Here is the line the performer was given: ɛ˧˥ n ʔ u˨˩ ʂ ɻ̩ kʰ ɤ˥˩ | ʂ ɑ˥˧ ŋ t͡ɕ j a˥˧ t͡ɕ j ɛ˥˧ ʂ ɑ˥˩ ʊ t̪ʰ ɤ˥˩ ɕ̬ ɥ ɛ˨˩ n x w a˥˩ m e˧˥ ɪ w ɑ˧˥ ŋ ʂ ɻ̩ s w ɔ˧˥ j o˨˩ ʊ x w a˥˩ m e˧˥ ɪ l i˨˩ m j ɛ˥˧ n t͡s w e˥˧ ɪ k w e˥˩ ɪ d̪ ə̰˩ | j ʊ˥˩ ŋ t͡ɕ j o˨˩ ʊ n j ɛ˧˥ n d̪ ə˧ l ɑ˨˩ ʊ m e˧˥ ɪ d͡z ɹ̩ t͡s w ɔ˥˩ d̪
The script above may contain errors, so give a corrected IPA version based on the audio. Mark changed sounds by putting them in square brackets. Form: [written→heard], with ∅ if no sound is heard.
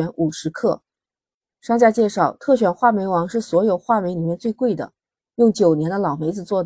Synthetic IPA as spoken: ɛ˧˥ n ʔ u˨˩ ʂ ɻ̩ kʰ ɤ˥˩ | ʂ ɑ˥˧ ŋ t͡ɕ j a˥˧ t͡ɕ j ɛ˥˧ ʂ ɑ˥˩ ʊ t̪ʰ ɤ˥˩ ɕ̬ ɥ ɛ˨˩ n x w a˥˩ m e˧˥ ɪ w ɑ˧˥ ŋ ʂ ɻ̩ s w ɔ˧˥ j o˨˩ ʊ x w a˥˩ m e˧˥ ɪ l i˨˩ m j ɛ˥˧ n t͡s w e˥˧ ɪ k w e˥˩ ɪ d̪ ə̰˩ | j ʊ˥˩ ŋ t͡ɕ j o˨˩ ʊ n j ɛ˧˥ n d̪ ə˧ l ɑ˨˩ ʊ m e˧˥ ɪ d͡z ɹ̩ t͡s w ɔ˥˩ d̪